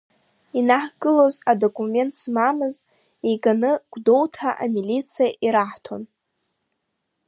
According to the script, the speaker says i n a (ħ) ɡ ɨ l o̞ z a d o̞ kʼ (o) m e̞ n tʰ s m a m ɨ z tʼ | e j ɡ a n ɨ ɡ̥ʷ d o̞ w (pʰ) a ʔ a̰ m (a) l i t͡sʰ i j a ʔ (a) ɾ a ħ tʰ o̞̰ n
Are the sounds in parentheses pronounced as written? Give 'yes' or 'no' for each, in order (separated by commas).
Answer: yes, no, no, no, no